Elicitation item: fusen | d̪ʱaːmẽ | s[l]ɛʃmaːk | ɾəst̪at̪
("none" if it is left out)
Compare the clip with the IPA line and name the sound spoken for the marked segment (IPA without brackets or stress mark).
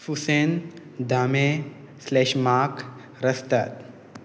l